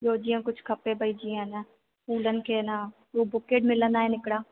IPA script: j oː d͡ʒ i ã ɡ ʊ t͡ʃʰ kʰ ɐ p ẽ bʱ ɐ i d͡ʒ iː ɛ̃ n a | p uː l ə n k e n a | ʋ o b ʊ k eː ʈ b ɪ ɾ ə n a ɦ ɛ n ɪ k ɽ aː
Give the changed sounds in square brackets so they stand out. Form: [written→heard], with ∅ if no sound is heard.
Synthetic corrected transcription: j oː d͡ʒ i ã [ɡ→k] ʊ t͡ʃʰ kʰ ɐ p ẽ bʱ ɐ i d͡ʒ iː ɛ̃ n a | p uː l ə n k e n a | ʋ o b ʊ k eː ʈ [b→m] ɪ [ɾ→l] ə n a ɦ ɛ n ɪ k ɽ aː